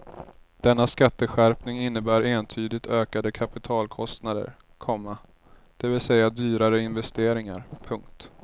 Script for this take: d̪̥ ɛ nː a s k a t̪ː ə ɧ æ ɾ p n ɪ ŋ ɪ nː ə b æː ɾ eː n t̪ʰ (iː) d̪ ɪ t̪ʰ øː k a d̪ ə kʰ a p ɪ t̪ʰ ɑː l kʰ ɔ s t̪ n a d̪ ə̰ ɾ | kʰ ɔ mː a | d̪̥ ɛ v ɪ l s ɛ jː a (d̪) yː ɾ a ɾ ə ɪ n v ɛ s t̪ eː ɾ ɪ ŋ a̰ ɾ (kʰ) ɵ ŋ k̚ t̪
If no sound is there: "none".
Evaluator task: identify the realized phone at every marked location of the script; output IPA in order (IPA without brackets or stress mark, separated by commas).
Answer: yː, d̪, pʰ